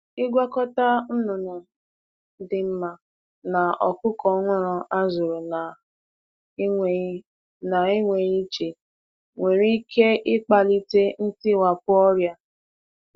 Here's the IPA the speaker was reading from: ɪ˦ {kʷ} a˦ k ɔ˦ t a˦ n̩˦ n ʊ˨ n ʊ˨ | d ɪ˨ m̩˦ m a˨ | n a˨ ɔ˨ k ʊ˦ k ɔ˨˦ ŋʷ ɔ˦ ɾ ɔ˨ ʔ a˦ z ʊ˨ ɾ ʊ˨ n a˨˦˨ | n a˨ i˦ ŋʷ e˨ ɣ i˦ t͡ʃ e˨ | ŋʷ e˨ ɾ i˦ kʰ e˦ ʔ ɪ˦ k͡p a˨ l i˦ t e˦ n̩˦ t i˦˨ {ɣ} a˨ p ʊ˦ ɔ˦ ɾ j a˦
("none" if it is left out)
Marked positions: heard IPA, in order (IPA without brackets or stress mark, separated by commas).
ɡʷ, w